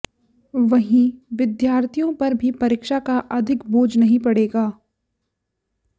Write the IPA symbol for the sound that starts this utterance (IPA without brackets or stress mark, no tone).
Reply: ʋ